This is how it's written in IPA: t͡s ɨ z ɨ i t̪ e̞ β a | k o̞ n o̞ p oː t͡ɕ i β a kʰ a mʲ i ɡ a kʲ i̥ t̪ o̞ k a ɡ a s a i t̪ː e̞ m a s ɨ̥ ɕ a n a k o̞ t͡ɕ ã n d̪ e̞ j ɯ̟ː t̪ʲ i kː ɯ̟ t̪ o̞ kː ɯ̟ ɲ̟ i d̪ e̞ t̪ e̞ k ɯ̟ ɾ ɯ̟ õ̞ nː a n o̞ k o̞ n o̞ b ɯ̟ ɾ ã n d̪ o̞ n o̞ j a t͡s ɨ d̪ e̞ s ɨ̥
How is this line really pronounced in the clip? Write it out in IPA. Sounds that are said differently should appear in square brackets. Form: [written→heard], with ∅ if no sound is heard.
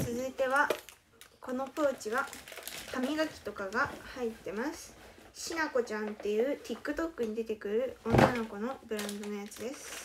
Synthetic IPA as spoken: t͡s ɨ z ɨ i t̪ e̞ β a | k o̞ n o̞ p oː t͡ɕ i β a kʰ a mʲ i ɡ a kʲ i̥ t̪ o̞ k a ɡ a [s→h] a i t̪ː e̞ m a s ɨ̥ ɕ [a→i] n a k o̞ t͡ɕ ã n [d̪→t̪] e̞ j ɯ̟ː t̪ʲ i kː ɯ̟ t̪ o̞ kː ɯ̟ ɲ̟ i d̪ e̞ t̪ e̞ k ɯ̟ ɾ ɯ̟ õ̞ nː a n o̞ k o̞ n o̞ b ɯ̟ ɾ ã n d̪ o̞ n o̞ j a t͡s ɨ d̪ e̞ s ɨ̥